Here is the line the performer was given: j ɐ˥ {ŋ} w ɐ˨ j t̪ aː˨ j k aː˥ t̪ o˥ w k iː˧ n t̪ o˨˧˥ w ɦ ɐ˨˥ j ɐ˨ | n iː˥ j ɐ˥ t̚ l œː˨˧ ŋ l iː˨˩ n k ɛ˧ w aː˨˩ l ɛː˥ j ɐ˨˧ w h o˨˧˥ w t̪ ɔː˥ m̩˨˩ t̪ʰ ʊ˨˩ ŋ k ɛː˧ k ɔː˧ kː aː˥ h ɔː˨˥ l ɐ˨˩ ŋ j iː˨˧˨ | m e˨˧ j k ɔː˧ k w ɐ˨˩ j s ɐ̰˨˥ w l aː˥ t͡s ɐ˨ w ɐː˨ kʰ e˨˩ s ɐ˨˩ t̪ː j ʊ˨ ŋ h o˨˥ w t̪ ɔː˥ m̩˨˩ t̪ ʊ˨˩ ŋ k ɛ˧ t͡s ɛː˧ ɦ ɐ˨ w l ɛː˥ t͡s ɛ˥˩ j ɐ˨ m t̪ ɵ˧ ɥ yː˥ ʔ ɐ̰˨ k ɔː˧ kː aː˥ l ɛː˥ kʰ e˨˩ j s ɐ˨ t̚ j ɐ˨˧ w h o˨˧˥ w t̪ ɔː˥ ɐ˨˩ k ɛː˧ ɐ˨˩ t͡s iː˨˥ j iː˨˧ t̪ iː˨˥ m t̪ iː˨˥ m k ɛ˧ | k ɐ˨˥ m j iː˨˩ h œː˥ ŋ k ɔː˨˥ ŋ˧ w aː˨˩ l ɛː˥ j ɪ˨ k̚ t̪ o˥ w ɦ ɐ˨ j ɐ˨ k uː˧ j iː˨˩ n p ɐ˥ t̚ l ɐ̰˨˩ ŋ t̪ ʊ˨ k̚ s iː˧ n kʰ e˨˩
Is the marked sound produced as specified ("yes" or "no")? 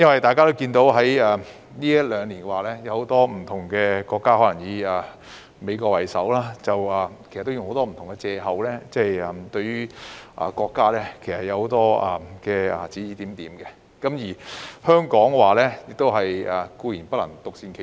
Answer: no